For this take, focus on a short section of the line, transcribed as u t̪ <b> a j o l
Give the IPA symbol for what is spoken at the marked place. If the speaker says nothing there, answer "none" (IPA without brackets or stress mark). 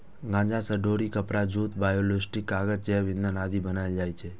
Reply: b